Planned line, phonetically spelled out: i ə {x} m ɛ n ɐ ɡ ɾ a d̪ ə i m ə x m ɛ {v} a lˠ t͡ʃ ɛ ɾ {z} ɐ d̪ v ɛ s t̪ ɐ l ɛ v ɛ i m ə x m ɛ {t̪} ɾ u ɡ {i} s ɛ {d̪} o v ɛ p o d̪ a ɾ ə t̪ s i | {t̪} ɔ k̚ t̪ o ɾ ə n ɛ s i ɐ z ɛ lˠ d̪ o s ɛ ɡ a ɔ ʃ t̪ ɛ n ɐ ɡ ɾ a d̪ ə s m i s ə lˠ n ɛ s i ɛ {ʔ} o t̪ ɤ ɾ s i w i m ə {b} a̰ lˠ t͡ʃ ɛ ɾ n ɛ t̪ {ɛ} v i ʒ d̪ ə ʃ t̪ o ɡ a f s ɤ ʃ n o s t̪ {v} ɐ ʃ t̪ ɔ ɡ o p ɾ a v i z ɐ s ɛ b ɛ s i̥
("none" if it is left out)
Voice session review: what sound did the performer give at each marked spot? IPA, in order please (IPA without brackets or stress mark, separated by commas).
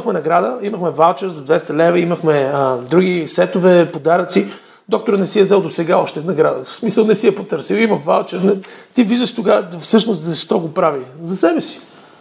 x, v, z, d̪, i, t̪, d̪, p, v, i, z